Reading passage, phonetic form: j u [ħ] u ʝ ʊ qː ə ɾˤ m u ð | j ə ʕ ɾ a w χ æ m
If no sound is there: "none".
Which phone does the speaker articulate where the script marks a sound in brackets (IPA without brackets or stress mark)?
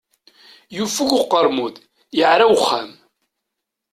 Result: f